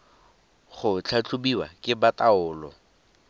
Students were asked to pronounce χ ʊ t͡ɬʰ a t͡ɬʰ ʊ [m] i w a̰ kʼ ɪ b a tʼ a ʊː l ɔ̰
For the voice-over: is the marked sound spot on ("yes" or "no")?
no